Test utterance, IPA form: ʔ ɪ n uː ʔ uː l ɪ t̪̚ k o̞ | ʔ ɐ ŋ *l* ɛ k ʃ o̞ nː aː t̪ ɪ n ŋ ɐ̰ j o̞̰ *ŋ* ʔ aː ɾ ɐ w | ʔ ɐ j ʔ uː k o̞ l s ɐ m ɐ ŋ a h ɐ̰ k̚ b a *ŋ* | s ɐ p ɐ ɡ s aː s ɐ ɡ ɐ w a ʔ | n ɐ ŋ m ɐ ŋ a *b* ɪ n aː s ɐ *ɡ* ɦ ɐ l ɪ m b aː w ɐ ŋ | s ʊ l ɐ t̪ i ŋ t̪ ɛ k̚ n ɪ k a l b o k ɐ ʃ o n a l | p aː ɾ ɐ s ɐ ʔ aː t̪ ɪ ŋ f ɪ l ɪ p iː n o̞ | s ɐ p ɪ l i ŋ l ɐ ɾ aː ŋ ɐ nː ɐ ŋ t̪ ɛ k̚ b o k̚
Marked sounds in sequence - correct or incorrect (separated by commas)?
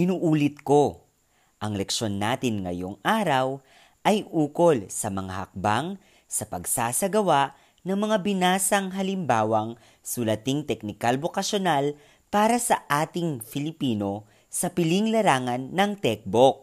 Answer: correct, correct, correct, correct, incorrect